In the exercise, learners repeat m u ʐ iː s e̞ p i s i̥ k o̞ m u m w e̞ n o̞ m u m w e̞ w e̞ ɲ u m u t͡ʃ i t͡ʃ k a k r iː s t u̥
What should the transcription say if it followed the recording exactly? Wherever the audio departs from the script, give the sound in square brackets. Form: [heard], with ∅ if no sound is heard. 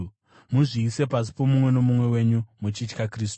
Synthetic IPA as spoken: m u ʐ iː s e̞ p [a] s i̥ [p] o̞ m u m w e̞ n o̞ m u m w e̞ w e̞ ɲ u m u t͡ʃ i t͡ʃ k a k r iː s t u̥